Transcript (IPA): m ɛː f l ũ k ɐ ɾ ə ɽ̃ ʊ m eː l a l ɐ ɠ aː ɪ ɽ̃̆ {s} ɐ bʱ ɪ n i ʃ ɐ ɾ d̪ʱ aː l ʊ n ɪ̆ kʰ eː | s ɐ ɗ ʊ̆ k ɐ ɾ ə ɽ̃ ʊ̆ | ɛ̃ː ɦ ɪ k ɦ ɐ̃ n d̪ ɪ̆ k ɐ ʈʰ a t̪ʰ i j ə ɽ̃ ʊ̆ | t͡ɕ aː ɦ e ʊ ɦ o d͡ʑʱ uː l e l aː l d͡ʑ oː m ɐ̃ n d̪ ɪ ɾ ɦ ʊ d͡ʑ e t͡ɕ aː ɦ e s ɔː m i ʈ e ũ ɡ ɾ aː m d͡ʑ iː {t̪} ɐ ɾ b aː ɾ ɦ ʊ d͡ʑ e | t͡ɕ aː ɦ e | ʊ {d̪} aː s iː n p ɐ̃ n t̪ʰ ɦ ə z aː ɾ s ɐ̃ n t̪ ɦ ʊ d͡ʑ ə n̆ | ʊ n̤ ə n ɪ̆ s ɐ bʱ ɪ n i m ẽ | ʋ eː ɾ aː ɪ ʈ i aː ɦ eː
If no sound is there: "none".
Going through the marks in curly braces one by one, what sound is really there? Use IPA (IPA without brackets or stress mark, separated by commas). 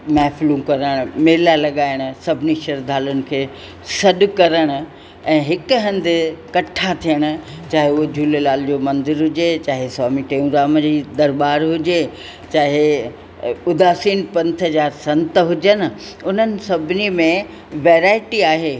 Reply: s, d̪, d̪